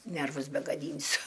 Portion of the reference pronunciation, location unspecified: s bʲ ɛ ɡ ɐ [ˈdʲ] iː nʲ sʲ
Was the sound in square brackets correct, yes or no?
yes